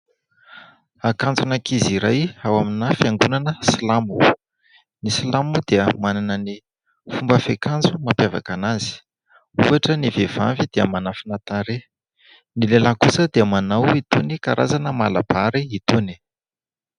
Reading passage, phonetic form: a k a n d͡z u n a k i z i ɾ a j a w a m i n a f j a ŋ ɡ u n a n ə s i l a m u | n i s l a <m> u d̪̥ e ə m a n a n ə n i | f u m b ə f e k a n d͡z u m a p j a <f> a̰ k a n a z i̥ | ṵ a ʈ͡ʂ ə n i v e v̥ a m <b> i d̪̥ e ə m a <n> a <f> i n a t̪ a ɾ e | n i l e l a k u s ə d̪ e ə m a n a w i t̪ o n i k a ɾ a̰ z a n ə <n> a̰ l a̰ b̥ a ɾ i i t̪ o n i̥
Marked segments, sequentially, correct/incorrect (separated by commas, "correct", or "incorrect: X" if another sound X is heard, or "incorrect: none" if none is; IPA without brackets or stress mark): correct, incorrect: v, incorrect: v, correct, correct, incorrect: m